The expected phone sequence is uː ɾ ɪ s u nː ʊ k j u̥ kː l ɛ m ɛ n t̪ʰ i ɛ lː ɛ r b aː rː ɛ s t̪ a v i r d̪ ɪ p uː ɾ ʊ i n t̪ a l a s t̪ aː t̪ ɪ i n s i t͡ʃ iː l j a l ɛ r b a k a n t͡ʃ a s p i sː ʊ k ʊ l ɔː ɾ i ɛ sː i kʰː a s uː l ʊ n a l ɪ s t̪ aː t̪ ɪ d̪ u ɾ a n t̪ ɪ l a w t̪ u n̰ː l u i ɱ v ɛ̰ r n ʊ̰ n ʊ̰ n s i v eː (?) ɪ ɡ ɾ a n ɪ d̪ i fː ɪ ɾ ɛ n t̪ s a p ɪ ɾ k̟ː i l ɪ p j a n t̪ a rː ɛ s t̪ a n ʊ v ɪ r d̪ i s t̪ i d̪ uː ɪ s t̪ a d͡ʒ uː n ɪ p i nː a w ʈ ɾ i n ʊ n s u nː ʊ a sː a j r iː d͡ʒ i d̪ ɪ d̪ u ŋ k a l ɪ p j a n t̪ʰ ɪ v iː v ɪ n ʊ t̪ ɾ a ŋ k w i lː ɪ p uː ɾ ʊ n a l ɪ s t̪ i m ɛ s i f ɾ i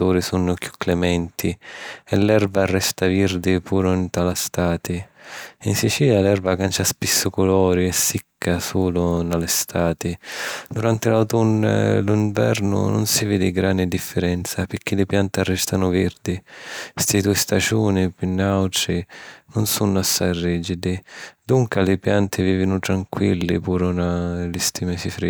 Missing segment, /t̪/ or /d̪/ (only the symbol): d̪